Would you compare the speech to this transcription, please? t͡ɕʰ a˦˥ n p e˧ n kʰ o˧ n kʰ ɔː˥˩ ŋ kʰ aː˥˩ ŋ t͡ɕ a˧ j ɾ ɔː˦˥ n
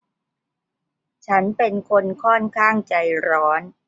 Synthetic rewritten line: t͡ɕʰ a˦˥ n p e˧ n kʰ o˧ n kʰ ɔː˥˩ n kʰ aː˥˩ ŋ t͡ɕ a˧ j ɾ ɔː˦˥ n